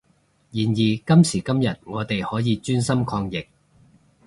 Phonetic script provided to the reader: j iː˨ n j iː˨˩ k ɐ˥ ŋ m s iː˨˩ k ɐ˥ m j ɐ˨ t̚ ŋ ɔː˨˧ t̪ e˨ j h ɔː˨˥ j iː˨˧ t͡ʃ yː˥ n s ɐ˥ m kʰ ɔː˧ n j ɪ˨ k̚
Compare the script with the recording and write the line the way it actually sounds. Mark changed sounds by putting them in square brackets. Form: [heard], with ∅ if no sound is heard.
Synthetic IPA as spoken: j iː˨ n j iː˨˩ k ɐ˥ [∅] m s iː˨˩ k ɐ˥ m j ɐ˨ t̚ ŋ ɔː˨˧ t̪ e˨ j h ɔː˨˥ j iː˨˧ t͡ʃ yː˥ n s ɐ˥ m kʰ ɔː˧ [ŋ] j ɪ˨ k̚